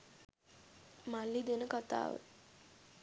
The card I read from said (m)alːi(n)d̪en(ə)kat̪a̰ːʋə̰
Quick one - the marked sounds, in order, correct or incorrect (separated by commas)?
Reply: correct, incorrect, correct